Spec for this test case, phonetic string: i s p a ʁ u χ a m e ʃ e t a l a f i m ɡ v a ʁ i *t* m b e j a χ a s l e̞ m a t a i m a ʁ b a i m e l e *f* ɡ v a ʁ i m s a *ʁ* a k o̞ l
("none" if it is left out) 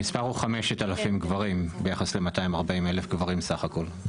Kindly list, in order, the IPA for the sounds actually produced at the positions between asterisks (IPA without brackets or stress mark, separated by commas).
none, f, χ